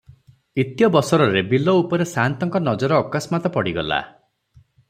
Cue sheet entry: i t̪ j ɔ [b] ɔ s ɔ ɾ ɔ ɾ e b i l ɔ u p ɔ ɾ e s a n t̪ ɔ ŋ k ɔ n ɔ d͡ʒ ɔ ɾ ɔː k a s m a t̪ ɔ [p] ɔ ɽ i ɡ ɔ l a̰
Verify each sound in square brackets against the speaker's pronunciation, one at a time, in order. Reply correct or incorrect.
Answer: correct, correct

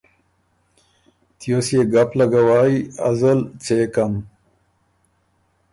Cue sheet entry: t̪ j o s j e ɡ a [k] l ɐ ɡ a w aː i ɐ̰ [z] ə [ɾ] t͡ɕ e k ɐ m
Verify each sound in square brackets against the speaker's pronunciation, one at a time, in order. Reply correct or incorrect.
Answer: incorrect: p, correct, incorrect: l

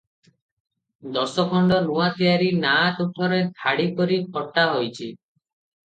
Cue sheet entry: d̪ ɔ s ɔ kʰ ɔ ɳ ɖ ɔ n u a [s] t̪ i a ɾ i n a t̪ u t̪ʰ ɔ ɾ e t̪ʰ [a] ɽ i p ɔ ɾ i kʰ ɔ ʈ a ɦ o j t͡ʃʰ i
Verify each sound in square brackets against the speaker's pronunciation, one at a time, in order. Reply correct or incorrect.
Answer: incorrect: none, correct

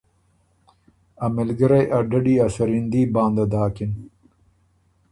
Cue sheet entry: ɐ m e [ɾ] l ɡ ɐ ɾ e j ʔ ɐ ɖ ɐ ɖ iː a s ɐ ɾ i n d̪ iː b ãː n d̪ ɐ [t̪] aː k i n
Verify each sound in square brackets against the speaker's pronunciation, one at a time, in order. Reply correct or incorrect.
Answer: incorrect: none, incorrect: d̪

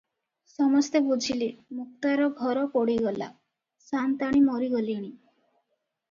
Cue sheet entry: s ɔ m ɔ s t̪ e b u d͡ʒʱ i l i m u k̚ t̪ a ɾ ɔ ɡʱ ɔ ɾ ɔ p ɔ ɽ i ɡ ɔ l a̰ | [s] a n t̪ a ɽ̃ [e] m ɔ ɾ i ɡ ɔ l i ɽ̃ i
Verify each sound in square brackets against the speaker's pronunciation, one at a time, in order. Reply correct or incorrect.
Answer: correct, incorrect: i

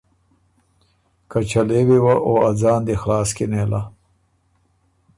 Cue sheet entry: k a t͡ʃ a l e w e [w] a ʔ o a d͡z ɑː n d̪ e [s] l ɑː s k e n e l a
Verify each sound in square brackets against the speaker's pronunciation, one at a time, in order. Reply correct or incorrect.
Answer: correct, incorrect: x

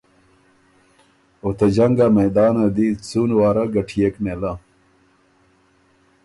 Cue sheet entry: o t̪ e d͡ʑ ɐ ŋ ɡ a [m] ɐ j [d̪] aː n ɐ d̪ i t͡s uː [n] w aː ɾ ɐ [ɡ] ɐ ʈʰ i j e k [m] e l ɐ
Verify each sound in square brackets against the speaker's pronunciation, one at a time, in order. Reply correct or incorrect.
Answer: correct, correct, correct, correct, correct

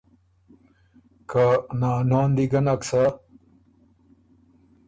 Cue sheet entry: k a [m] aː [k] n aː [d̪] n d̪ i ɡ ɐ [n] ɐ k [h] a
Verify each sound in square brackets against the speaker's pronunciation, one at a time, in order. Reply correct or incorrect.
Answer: incorrect: n, incorrect: none, incorrect: none, correct, incorrect: s

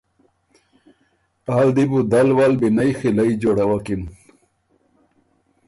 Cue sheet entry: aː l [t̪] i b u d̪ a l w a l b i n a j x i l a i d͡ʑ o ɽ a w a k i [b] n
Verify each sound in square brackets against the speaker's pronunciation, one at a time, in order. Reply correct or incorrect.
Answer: incorrect: d̪, incorrect: none

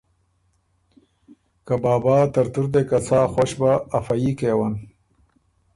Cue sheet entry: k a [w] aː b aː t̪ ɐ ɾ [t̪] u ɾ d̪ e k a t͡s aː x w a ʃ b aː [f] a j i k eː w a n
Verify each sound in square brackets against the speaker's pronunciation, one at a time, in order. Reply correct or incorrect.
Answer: incorrect: b, correct, correct

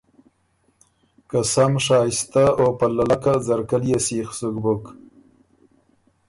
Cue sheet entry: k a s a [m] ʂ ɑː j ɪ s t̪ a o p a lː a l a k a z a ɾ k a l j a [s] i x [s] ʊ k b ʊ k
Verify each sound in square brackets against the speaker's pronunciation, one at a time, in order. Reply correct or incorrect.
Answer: correct, correct, correct

